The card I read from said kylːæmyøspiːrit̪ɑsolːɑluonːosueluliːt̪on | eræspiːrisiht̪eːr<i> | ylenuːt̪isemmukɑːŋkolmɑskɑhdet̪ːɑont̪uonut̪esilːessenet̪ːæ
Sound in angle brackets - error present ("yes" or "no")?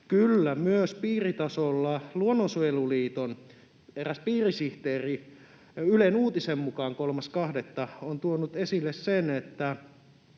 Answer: no